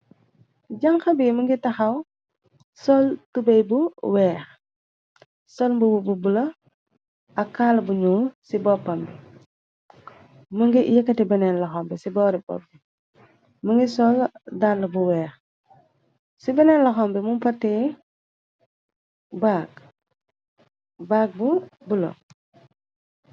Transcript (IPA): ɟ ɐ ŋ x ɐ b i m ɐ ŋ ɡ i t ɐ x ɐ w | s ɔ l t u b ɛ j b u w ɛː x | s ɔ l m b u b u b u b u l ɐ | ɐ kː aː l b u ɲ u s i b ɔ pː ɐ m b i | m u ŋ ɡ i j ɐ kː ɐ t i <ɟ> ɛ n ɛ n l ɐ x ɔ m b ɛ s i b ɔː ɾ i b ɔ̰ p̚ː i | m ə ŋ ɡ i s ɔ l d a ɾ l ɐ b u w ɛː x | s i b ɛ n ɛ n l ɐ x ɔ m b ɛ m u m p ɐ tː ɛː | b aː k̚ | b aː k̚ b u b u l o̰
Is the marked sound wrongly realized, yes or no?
yes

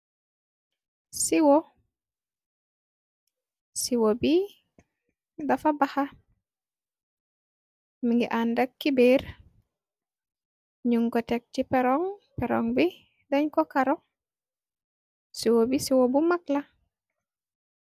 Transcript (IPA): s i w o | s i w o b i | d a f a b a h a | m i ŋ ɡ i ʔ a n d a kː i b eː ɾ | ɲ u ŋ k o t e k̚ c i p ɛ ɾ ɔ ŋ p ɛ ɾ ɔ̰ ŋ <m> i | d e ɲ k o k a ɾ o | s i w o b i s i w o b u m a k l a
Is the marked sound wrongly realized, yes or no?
yes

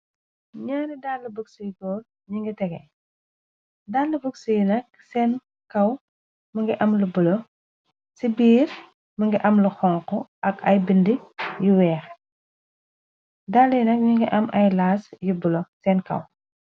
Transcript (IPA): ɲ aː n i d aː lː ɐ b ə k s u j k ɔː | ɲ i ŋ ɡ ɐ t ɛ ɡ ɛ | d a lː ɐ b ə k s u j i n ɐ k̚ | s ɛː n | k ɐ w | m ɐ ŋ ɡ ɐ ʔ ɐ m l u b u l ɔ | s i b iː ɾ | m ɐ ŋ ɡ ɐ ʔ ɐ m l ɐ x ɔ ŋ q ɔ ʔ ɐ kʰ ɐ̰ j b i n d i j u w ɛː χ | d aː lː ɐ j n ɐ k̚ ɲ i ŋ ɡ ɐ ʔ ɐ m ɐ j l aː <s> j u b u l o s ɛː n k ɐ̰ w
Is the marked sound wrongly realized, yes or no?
no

